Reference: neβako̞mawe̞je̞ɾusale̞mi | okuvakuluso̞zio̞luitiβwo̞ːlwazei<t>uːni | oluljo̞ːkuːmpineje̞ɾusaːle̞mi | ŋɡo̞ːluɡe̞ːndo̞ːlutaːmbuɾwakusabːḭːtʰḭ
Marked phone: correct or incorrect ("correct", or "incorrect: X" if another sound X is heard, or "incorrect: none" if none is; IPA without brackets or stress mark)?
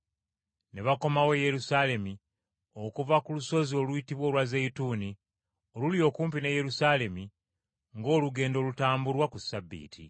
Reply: correct